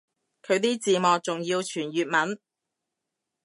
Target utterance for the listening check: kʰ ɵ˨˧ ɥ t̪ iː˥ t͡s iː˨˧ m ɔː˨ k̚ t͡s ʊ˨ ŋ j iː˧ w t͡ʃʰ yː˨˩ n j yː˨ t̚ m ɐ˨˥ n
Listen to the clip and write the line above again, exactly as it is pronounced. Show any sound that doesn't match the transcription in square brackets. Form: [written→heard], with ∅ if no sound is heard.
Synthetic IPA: kʰ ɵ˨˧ ɥ t̪ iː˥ t͡s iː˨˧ m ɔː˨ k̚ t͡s ʊ˨ ŋ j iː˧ w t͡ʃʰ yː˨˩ n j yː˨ t̚ m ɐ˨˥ n